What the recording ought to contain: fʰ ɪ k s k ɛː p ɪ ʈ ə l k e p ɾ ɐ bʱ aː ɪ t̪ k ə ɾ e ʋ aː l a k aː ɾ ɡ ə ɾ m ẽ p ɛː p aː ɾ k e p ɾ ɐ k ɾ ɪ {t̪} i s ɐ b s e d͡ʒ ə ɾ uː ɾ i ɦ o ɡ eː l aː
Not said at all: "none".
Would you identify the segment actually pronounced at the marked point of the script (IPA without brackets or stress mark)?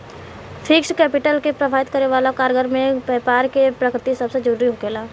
t̪